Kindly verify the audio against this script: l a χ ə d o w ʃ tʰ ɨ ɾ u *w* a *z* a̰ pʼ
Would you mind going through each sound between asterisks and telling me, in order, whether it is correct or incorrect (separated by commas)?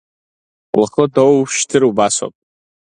incorrect, incorrect